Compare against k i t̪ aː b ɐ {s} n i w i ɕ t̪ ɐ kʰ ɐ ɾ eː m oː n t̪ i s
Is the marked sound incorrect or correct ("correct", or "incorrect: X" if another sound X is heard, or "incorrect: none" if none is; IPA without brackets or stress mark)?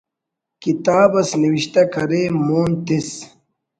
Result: correct